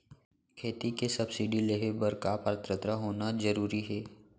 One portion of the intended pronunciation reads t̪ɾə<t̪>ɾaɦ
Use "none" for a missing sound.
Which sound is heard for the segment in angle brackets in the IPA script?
t̪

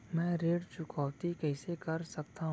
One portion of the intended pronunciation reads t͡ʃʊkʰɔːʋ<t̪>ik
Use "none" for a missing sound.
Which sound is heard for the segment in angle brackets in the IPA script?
t̪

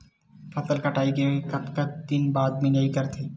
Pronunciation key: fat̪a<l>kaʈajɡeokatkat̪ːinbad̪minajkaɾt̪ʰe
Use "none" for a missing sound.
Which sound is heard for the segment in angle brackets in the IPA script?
l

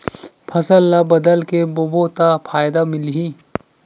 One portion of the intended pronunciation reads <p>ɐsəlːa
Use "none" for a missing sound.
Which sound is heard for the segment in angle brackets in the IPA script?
pʰ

